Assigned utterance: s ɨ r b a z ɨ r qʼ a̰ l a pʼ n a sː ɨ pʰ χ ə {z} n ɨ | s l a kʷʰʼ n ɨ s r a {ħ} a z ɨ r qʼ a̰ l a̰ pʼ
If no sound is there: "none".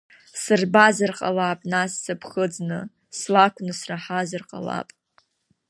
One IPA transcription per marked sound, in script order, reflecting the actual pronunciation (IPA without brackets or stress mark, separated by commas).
d͡z, ħ